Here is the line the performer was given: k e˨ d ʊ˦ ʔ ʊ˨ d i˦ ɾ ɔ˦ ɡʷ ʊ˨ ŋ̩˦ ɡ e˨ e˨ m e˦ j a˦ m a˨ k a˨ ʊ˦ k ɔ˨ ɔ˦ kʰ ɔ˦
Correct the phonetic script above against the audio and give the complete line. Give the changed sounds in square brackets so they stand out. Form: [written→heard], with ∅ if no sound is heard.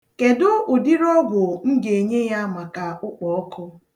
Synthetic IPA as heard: k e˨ d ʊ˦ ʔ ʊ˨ d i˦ ɾ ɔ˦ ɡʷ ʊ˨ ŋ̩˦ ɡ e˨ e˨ [m→ɲ] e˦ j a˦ m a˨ k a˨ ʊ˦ [k→k͡p] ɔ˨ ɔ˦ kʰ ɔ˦